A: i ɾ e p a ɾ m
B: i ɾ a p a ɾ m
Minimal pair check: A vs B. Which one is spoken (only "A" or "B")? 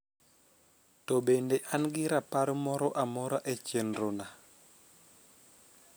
B